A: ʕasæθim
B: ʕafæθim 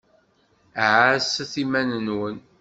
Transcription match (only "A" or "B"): A